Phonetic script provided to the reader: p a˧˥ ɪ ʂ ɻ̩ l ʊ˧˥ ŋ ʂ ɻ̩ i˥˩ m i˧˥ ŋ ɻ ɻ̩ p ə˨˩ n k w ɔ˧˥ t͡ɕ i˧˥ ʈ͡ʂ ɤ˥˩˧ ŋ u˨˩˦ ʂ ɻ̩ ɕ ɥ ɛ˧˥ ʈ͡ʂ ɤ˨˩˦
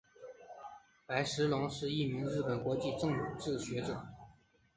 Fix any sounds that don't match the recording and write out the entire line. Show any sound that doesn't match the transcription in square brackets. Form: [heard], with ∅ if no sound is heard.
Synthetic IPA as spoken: p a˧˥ ɪ ʂ ɻ̩ l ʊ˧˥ ŋ ʂ ɻ̩ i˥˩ m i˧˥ ŋ ɻ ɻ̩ p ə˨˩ n k w ɔ˧˥ t͡ɕ [i˥˧] ʈ͡ʂ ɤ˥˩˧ ŋ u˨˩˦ [ʈ͡ʂ] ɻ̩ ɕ ɥ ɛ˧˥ ʈ͡ʂ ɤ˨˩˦